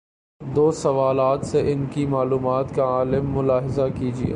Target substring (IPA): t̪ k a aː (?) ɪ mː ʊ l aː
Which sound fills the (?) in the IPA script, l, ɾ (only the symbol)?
l